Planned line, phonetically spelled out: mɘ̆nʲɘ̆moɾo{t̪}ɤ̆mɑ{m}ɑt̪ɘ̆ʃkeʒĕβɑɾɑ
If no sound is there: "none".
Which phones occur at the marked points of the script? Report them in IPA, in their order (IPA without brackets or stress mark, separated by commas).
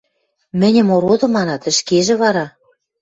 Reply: d̪, n